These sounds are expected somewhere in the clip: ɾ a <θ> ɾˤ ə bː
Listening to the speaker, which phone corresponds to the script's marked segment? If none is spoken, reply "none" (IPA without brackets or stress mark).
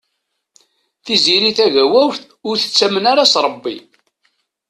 s